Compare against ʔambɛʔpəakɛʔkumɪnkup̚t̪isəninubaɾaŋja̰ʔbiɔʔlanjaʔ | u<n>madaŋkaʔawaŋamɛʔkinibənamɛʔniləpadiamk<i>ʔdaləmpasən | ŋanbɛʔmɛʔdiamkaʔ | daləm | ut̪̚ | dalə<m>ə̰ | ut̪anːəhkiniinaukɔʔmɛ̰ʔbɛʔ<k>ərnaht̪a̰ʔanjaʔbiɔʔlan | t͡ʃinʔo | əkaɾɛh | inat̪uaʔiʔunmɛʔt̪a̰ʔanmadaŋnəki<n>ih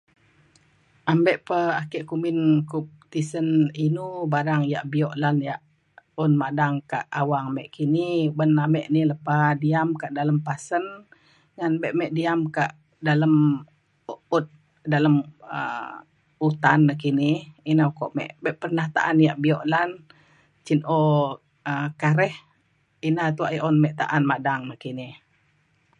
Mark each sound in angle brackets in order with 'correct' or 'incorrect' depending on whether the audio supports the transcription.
correct, incorrect, correct, incorrect, correct

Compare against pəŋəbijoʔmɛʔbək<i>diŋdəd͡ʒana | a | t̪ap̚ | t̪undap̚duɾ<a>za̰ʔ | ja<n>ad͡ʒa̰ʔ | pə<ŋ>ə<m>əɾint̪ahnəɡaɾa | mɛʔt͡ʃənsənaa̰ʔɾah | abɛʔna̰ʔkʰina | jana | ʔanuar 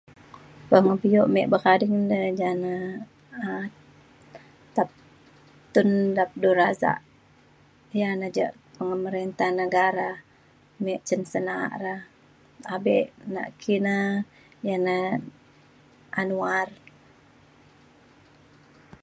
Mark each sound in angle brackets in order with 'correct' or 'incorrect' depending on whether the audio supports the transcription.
incorrect, correct, correct, correct, correct

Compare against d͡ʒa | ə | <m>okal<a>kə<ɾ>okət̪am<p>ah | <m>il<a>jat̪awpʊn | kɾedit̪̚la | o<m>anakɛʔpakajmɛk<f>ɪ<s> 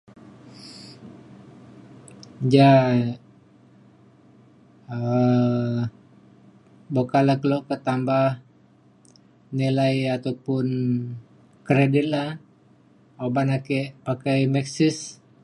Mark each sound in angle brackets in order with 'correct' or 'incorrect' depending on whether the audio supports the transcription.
incorrect, correct, incorrect, incorrect, incorrect, correct, incorrect, incorrect, correct

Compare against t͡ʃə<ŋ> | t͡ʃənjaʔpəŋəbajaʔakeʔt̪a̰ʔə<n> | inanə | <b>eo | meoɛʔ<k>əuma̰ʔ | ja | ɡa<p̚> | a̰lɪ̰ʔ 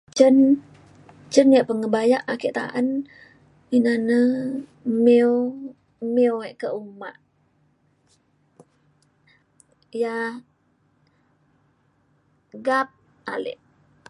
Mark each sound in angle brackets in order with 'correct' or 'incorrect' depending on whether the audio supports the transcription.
incorrect, correct, incorrect, correct, correct

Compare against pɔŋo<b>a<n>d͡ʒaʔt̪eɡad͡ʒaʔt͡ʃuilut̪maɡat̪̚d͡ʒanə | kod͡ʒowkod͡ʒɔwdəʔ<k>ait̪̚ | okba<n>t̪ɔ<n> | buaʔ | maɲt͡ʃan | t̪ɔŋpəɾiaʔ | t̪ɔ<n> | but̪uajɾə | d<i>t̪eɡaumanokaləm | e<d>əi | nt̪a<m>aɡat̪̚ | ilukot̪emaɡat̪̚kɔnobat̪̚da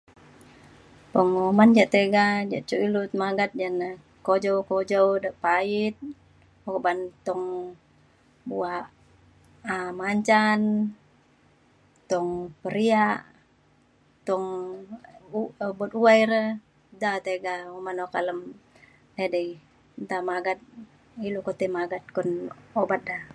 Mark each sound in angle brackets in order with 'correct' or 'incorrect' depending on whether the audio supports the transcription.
incorrect, correct, incorrect, correct, incorrect, incorrect, incorrect, correct, correct

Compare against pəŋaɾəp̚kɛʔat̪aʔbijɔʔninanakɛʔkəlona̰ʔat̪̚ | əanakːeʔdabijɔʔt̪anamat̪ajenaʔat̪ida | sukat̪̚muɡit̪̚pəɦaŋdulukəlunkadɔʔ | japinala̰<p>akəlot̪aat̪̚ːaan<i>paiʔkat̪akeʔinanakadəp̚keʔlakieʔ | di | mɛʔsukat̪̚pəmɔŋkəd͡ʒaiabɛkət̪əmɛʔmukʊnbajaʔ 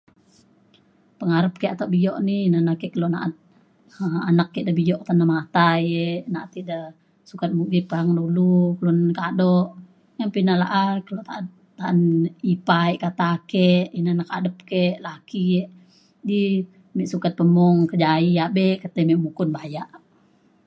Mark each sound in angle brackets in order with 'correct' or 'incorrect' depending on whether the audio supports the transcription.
incorrect, correct

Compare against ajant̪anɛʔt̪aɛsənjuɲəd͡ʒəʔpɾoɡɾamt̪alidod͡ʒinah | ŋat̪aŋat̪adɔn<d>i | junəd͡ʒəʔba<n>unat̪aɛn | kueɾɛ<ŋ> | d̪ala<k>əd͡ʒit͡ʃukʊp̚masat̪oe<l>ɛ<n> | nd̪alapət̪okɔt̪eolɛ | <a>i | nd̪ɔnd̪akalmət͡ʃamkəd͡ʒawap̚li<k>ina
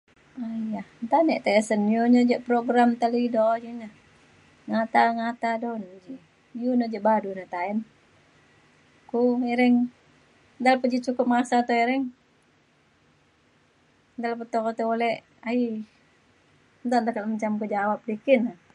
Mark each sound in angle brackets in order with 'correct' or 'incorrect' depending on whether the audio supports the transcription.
incorrect, incorrect, correct, incorrect, incorrect, incorrect, correct, correct

